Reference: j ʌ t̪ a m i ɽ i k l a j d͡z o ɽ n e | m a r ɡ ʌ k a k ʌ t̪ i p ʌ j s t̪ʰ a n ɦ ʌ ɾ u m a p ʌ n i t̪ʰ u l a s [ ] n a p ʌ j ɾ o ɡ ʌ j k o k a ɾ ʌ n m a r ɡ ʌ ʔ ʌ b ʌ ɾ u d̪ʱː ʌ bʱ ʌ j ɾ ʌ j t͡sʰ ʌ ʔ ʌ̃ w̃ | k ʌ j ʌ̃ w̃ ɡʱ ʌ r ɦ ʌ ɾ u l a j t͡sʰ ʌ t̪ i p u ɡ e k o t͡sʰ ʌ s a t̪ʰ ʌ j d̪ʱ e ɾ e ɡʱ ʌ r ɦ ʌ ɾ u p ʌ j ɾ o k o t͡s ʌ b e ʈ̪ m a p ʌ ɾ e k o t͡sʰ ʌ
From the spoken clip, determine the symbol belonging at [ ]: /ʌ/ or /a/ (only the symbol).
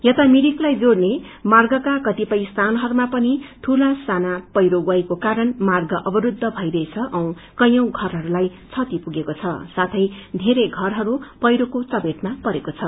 a